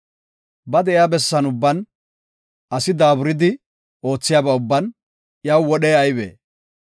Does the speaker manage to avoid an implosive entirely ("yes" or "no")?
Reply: no